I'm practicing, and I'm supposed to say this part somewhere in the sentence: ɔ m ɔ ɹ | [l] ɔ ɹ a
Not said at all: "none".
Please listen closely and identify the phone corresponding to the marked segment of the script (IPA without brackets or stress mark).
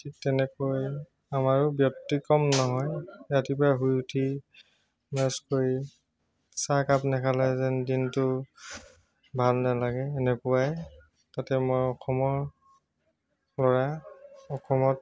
l